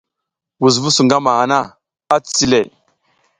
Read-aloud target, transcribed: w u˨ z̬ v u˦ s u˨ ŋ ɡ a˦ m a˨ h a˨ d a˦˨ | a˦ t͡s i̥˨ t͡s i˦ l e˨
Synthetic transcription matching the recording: w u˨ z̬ v u˦ s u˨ ŋ ɡ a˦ m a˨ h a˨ n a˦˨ | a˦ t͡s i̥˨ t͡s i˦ l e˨